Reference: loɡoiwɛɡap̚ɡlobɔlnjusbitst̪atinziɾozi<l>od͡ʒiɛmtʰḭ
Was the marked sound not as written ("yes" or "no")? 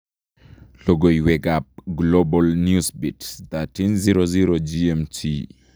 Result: yes